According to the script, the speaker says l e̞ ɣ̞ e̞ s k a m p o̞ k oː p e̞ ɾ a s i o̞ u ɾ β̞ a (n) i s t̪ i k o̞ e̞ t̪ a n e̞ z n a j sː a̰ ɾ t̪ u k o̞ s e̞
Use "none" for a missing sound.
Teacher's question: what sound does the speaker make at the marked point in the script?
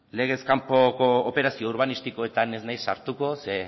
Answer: n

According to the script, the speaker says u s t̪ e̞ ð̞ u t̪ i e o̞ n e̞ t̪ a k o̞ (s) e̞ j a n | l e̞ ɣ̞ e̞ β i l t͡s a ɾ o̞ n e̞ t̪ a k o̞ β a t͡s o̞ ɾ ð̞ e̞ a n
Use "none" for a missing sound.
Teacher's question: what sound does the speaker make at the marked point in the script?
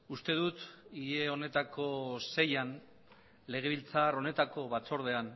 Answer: s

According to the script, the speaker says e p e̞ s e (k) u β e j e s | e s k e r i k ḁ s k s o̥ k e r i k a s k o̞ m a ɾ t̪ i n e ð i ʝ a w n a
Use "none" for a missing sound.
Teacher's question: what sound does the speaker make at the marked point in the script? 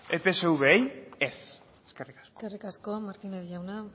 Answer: none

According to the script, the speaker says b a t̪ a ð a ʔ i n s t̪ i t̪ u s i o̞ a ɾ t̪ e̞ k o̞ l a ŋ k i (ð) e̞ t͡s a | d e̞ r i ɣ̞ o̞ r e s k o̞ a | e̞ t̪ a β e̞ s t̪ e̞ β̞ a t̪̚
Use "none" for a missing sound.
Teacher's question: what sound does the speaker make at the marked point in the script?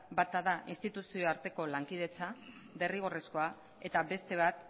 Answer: ð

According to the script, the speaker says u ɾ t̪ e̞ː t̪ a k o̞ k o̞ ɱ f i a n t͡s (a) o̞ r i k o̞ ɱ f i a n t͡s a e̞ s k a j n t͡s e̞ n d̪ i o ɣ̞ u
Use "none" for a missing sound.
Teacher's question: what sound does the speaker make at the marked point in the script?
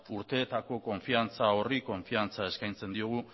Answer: a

